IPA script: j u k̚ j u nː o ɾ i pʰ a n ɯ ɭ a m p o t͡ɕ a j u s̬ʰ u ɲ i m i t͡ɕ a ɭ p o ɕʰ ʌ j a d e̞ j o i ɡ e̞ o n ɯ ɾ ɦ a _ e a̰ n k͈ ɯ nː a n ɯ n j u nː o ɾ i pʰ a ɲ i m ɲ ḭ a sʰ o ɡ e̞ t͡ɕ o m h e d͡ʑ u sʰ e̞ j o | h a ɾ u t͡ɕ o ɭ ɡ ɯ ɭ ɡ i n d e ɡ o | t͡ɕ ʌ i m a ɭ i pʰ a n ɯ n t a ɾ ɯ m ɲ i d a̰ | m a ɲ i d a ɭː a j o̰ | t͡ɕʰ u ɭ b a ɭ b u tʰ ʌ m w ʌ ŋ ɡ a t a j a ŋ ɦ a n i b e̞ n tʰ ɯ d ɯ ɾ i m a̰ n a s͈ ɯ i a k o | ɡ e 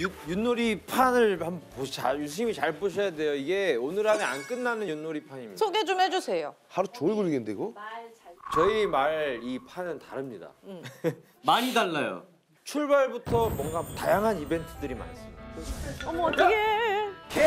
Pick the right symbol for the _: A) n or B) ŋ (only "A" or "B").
A